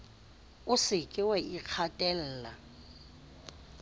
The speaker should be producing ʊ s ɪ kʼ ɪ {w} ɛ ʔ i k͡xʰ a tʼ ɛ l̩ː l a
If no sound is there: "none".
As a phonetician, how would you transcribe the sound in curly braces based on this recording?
w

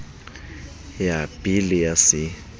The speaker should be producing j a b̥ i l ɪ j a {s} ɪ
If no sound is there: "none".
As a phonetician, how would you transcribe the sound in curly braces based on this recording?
s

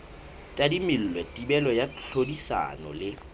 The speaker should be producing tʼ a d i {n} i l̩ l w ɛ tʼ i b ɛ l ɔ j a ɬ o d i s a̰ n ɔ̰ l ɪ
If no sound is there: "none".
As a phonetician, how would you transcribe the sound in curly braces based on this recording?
m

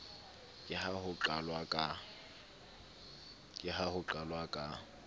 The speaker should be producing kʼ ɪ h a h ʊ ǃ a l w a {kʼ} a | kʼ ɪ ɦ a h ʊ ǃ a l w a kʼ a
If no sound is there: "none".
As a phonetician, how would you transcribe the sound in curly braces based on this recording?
kʼ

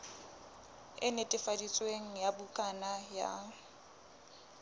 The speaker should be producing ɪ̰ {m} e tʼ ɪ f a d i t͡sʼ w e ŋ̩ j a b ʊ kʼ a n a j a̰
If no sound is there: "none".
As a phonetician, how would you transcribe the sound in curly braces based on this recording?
n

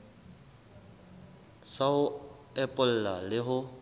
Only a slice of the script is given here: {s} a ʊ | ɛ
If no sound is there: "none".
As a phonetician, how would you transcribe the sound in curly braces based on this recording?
s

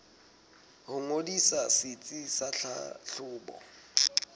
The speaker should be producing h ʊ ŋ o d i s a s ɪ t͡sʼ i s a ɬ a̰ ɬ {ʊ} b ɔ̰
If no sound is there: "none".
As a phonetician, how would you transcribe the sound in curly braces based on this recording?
ʊː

